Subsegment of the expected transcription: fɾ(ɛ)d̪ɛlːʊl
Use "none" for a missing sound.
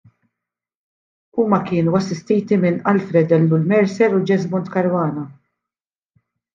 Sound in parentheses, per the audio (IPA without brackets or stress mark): ɛ